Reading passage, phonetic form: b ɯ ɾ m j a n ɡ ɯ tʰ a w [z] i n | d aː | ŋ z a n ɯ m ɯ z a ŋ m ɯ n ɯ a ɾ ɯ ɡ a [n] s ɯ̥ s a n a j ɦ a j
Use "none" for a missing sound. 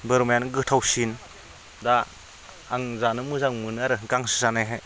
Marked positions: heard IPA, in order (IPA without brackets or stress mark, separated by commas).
s, ŋ